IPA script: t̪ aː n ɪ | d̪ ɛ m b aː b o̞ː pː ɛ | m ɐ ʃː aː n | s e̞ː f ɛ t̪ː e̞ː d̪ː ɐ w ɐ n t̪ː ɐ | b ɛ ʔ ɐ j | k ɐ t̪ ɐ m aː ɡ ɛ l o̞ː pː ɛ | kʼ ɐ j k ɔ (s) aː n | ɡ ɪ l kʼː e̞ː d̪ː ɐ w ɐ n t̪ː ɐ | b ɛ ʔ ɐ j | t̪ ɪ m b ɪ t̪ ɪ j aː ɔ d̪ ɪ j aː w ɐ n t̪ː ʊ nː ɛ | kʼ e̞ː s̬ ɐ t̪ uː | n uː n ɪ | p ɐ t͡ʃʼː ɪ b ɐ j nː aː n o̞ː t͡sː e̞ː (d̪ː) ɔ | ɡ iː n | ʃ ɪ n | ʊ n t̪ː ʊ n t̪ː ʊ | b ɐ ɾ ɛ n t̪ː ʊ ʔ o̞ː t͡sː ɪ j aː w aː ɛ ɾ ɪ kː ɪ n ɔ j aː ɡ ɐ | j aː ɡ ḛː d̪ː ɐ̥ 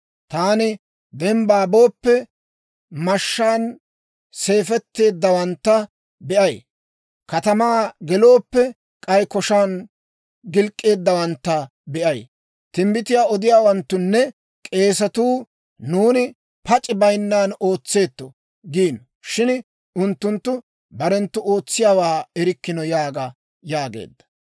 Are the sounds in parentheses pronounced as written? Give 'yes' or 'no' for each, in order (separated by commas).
no, no